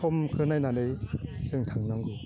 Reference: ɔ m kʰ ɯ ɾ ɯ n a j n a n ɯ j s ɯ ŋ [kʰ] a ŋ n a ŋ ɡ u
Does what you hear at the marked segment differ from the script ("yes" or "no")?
yes